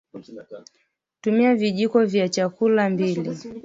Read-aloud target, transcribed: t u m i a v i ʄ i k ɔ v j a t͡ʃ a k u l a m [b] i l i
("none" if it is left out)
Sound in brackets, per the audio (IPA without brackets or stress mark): b